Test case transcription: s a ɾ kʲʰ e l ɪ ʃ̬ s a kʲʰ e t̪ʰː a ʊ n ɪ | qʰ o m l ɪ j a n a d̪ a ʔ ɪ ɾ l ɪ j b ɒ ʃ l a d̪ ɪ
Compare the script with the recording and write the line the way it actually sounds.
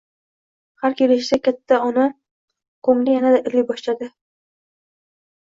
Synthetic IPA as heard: h a ɾ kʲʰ e l ɪ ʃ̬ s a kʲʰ a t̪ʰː a ʊ n ɪ | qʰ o m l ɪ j a n a d̪ a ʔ ɪ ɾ l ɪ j b ɒ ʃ l a d̪ ɪ